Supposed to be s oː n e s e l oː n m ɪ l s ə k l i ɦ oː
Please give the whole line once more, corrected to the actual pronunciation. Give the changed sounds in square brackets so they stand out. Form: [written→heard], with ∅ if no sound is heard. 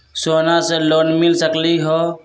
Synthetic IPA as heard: s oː n [e→a] s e l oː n m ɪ l s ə k l i ɦ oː